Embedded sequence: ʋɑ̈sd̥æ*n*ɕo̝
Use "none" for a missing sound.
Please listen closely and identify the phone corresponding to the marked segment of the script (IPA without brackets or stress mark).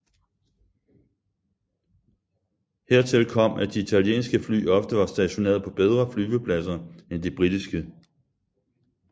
none